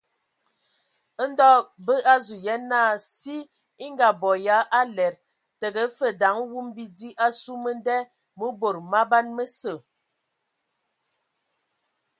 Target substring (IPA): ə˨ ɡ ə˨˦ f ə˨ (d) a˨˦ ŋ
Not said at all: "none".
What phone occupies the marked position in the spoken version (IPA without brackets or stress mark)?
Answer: d